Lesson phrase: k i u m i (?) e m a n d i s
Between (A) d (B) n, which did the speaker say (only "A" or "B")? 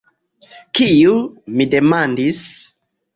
A